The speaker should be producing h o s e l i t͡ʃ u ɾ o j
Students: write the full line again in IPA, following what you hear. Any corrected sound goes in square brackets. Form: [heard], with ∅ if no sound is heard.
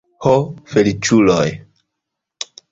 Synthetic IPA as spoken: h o [f] e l i t͡ʃ u [l] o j